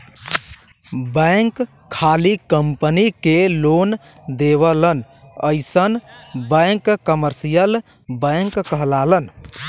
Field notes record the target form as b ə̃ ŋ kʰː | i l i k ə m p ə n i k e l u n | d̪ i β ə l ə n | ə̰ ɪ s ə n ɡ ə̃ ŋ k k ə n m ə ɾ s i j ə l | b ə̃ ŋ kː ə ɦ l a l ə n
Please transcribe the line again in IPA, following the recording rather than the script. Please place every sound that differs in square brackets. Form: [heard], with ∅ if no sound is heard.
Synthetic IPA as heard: b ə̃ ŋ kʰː | [a] l i k ə m p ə n i k e l [o] n | d̪ [e] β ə l ə n | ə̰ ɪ s ə n [b] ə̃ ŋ k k ə [∅] m ə ɾ s i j ə l | b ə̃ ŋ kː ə ɦ l a l ə n

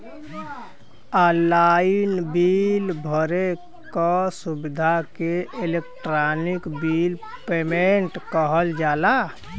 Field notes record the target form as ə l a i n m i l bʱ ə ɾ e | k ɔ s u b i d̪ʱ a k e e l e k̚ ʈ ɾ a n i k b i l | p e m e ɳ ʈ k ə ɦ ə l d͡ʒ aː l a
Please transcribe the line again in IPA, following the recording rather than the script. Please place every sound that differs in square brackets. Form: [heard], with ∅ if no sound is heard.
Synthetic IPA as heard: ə l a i n [b] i l bʱ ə ɾ e | k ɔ s u b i d̪ʱ a k e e l e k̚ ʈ ɾ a n i k b i l | p e m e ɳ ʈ k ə ɦ ə l d͡ʒ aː l a

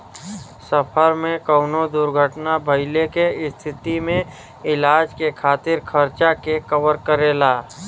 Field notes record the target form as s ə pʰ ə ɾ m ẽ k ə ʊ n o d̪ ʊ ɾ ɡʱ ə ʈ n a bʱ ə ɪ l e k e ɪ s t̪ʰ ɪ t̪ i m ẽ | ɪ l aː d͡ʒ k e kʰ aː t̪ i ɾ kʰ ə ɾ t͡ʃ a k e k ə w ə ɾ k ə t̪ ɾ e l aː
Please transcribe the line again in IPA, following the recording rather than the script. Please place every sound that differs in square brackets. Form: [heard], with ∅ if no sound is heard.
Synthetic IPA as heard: s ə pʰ ə ɾ m ẽ k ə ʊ n o d̪ ʊ ɾ ɡʱ ə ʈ n a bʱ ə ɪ l e k e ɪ s t̪ʰ ɪ t̪ i m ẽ | ɪ l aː d͡ʒ k e kʰ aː t̪ [ɪ] ɾ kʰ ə ɾ t͡ʃ a k e k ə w ə ɾ k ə [∅] ɾ e l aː

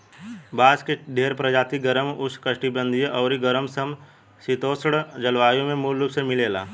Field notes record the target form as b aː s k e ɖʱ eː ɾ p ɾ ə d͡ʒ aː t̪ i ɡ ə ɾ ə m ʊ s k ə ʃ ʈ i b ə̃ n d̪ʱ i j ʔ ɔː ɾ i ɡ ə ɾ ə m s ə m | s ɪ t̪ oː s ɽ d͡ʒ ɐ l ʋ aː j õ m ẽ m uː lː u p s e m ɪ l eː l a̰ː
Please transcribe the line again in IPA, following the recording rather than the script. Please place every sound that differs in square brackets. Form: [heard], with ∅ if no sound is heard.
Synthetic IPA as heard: b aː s k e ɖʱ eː ɾ p ɾ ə d͡ʒ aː t̪ i ɡ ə ɾ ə m ʊ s k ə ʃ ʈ i b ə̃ n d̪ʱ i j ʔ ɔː ɾ i ɡ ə ɾ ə m s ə m | s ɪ t̪ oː s ɽ d͡ʒ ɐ l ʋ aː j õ m ẽ m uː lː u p s e m ɪ l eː l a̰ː

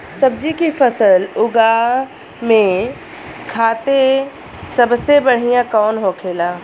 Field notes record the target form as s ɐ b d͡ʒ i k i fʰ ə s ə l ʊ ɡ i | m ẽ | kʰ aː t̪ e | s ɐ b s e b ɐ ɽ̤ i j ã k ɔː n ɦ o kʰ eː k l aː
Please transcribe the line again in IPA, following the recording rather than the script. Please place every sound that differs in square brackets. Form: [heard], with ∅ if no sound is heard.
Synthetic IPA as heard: s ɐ b d͡ʒ i k i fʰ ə s ə l ʊ ɡ [a] | m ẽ | kʰ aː t̪ e | s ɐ b s e b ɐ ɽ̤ i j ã k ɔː n ɦ o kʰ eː [∅] l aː

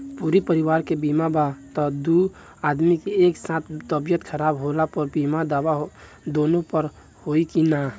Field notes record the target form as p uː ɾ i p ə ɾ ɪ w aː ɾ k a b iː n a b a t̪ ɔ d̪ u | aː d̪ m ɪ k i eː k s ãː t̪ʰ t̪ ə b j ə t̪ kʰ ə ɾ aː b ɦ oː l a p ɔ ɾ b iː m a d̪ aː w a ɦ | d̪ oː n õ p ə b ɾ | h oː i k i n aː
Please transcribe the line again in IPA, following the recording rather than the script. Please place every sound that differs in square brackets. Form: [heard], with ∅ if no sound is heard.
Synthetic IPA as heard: p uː ɾ i p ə ɾ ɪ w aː ɾ k [e] b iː [m] a b a t̪ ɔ d̪ u | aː d̪ m [i] k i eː k s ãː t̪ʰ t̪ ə b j ə t̪ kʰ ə ɾ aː b ɦ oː l a p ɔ ɾ b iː m a d̪ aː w a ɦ | d̪ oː n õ p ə [∅] ɾ | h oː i k i n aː

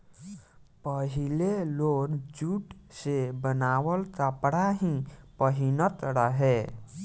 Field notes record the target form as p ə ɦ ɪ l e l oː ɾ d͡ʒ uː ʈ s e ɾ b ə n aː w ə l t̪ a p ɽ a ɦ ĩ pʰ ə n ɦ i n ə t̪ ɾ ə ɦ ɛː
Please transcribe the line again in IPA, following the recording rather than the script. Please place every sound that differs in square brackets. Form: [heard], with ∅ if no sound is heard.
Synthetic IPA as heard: p ə ɦ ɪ l e l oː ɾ d͡ʒ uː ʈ s e [∅] b ə n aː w ə l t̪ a p ɽ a ɦ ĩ [p] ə [∅] ɦ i n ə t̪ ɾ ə ɦ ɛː

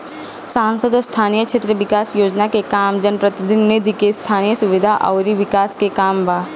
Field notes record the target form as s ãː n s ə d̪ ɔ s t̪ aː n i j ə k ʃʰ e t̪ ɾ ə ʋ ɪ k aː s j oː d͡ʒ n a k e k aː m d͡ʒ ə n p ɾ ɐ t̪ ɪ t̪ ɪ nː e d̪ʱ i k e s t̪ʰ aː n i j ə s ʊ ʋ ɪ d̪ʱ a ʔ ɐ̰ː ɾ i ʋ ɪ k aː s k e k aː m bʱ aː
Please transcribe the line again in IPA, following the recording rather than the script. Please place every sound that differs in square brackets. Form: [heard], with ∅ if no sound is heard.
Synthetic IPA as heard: s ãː n s ə d̪ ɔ s [t̪ʰ] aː n i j ə k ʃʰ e t̪ ɾ ə ʋ ɪ k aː s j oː d͡ʒ n a k e k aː m d͡ʒ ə n p ɾ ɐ t̪ ɪ [d̪] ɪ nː e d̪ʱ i k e s t̪ʰ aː n i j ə s ʊ ʋ ɪ d̪ʱ a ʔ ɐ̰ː ɾ i ʋ ɪ k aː s k e k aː m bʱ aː

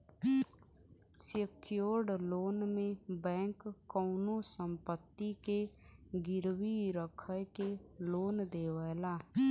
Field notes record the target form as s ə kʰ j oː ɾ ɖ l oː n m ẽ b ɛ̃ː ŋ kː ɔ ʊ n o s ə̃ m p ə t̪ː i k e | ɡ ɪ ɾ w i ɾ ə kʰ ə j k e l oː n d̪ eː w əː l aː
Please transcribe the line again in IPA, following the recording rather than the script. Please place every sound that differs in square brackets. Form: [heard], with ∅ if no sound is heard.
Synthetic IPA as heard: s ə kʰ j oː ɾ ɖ l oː n m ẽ b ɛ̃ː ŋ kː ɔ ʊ n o s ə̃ m p ə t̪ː i k e | ɡ ɪ ɾ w i ɾ ə kʰ ə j k e l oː n d̪ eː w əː l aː

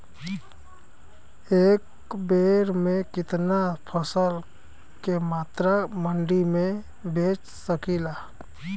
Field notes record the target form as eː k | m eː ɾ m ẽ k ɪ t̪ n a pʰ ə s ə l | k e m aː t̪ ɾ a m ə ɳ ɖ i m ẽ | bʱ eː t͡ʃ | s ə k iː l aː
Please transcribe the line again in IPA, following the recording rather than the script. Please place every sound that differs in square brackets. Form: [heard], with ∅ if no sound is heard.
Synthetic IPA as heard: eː k | [b] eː ɾ m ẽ k ɪ t̪ n a pʰ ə s ə l | k e m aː t̪ ɾ a m ə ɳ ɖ i m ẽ | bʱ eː t͡ʃ | s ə k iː l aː

